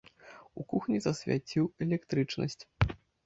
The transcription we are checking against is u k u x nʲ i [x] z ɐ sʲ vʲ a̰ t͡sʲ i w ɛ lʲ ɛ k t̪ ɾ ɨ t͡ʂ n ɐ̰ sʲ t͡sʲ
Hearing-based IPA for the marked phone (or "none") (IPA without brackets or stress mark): none